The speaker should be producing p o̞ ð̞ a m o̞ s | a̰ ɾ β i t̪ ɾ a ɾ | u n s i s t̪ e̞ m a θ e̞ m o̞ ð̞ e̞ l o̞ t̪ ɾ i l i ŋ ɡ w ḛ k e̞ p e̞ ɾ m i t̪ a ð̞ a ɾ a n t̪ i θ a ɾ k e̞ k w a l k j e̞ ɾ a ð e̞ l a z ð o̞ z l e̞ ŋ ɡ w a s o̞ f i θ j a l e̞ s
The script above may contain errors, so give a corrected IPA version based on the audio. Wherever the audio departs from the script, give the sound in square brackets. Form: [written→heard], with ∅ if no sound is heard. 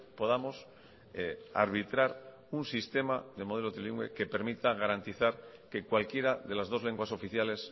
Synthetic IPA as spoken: p o̞ ð̞ a m o̞ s | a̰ ɾ β i t̪ ɾ a ɾ | u n s i s t̪ e̞ m a [θ→ð] e̞ m o̞ ð̞ e̞ l o̞ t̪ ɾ i l i ŋ ɡ w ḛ k e̞ p e̞ ɾ m i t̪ a [ð̞→ɣ̞] a ɾ a n t̪ i θ a ɾ k e̞ k w a l k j e̞ ɾ a ð e̞ l a z ð o̞ z l e̞ ŋ ɡ w a s o̞ f i θ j a l e̞ s